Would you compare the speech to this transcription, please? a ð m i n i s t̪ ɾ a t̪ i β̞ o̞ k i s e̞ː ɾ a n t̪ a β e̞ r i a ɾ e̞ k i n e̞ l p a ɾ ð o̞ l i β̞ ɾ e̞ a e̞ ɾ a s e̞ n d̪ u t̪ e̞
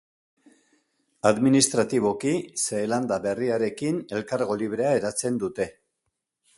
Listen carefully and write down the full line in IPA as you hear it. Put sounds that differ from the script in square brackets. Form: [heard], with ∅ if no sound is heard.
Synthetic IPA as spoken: a ð m i n i s t̪ ɾ a t̪ i β̞ o̞ k i s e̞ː [l] a n [d̪] a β e̞ r i a ɾ e̞ k i n e̞ l [k] a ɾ [ɣ] o̞ l i β̞ ɾ e̞ a e̞ ɾ a [t͡s] e̞ n d̪ u t̪ e̞